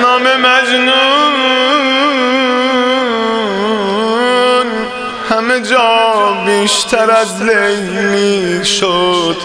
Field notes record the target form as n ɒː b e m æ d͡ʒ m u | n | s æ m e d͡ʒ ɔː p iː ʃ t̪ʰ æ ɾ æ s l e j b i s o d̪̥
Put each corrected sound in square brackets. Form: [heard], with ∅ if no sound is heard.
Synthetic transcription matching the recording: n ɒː [m] e m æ d͡ʒ [n] u | n | [h] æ m e d͡ʒ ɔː [b] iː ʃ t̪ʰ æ ɾ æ [z] l e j [m] i [ʃ] o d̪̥